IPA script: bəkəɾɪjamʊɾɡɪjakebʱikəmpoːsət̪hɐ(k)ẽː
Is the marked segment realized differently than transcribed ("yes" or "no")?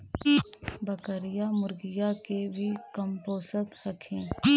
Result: yes